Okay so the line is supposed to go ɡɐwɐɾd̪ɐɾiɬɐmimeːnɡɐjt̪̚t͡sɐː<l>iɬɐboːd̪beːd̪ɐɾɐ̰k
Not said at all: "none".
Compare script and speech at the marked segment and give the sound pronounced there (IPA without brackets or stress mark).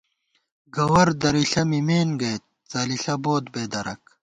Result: l